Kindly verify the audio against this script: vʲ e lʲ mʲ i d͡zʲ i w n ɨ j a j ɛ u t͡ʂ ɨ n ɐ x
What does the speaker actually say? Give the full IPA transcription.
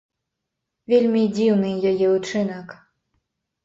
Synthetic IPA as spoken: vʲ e lʲ mʲ i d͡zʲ i w n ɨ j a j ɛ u t͡ʂ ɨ n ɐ k